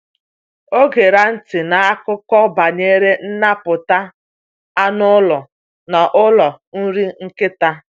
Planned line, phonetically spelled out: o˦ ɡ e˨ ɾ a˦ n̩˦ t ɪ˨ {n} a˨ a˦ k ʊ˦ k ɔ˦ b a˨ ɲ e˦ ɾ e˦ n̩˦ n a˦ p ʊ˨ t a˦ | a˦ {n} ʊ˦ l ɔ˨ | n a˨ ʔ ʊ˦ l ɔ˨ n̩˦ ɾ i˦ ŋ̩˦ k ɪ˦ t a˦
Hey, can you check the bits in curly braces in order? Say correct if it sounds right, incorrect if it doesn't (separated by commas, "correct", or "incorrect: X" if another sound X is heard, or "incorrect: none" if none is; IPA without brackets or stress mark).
correct, correct